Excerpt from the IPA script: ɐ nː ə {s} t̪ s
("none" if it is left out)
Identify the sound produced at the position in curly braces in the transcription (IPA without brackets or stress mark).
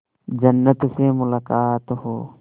none